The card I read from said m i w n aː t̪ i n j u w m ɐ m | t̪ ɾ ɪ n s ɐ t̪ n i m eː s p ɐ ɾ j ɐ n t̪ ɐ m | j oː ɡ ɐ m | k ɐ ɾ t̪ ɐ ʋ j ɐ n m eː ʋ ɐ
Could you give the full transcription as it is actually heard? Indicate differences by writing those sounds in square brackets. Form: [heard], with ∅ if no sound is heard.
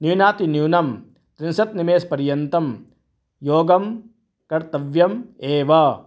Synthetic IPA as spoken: [n] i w n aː t̪ i n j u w [n] ɐ m | t̪ ɾ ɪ n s ɐ t̪ n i m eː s p ɐ ɾ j ɐ n t̪ ɐ m | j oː ɡ ɐ m | k ɐ ɾ t̪ ɐ ʋ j ɐ [∅] m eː ʋ ɐ